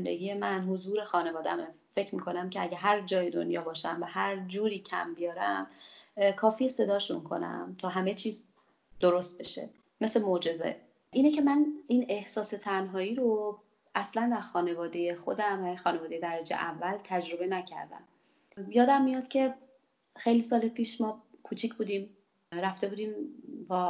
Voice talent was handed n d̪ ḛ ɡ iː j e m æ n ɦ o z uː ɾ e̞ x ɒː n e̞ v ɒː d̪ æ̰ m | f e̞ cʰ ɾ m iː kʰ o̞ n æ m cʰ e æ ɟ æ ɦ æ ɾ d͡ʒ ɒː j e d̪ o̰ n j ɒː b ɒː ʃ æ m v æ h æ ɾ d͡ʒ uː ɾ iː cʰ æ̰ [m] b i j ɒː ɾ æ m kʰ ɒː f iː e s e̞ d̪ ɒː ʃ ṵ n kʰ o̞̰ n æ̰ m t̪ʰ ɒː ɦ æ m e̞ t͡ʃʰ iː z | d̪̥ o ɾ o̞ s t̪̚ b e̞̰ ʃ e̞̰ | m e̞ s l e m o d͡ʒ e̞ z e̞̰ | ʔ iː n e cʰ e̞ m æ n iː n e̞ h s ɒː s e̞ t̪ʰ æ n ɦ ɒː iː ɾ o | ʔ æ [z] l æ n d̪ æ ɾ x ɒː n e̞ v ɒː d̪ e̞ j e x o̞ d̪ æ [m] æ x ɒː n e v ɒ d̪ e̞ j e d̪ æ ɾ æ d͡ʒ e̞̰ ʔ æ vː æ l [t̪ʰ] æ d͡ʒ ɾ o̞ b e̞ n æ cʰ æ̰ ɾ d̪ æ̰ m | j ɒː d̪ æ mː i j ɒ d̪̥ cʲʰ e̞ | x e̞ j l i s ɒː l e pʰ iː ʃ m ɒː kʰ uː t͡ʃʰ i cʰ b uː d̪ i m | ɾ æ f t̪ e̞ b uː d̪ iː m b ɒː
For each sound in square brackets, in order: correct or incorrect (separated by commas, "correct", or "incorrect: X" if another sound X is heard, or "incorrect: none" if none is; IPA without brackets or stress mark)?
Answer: correct, incorrect: s, correct, correct